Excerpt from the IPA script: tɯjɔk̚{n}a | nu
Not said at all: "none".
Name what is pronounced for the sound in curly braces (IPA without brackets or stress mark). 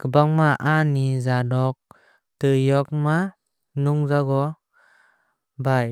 m